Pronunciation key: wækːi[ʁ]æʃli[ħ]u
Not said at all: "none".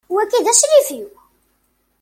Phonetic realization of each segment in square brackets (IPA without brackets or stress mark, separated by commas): ð, f